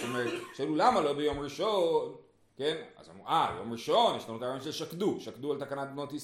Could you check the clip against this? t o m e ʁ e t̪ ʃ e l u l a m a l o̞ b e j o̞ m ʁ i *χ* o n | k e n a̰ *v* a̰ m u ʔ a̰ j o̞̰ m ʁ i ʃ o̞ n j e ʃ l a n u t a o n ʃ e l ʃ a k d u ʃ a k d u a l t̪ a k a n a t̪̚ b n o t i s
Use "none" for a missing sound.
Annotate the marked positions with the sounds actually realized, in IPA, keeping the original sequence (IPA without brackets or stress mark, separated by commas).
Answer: ʃ, z